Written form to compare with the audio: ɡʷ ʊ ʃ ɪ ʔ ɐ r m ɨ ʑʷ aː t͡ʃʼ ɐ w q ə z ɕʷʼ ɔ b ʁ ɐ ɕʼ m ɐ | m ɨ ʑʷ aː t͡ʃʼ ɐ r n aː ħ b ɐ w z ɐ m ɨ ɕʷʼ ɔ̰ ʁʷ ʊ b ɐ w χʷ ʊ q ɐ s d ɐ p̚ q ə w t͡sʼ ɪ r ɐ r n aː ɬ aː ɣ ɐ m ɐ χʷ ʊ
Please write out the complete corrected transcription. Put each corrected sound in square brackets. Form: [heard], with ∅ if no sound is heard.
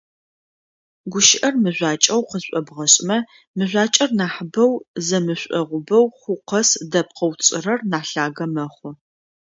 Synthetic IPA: ɡʷ ʊ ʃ ɪ ʔ ɐ r m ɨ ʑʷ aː t͡ʃʼ ɐ w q ə z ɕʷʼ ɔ b ʁ ɐ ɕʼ m ɐ | m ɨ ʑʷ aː t͡ʃʼ ɐ r n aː ħ b ɐ w z ɐ m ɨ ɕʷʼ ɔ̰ ʁʷ ʊ b ɐ w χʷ ʊ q ɐ s d ɐ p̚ q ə w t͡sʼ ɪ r ɐ r n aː ɬ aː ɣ ɐ m ɐ χʷ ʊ